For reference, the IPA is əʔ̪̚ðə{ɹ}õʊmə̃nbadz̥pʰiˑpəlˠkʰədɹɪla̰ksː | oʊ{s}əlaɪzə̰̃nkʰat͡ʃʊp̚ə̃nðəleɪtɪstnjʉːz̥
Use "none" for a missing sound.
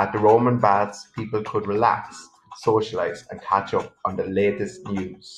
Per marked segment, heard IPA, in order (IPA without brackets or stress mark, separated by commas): ɹ, ʃ